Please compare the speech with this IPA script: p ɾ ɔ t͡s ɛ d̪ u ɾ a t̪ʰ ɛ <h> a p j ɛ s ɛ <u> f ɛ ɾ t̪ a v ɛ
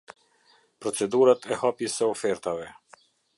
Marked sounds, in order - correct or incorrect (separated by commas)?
correct, incorrect